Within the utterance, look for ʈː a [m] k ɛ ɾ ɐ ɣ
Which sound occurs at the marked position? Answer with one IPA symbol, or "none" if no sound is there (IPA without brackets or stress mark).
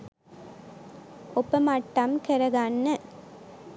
m